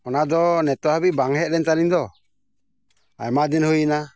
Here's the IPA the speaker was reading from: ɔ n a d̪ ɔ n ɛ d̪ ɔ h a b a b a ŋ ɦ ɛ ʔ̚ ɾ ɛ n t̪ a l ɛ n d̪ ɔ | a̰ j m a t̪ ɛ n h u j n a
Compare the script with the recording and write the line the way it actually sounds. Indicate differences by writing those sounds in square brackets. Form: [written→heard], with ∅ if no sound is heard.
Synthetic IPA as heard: ɔ n a d̪ ɔ n ɛ [d̪→t̪] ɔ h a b [a→i] b a ŋ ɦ ɛ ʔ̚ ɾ ɛ n t̪ a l [ɛ→i] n d̪ ɔ | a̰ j m a [t̪→d̪] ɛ n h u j n a